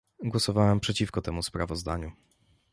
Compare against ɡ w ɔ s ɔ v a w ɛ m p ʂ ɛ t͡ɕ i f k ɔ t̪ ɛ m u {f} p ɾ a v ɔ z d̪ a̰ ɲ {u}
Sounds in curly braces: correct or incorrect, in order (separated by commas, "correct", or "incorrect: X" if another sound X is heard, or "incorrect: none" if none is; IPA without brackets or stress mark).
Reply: incorrect: s, correct